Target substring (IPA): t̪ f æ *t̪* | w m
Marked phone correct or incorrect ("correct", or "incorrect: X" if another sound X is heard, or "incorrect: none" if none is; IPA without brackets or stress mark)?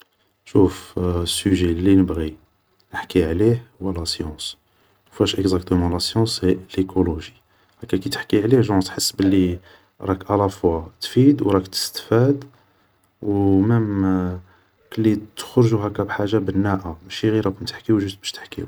incorrect: d̪